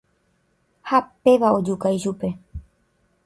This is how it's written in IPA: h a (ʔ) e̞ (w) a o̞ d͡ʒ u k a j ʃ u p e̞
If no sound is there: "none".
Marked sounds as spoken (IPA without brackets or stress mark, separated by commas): p, ʋ